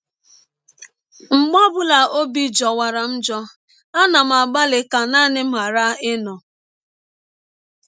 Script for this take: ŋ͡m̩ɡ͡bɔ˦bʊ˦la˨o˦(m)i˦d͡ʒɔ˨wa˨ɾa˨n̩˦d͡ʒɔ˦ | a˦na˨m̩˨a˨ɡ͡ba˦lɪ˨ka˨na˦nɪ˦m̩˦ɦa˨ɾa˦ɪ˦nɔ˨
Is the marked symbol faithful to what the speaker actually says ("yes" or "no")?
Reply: no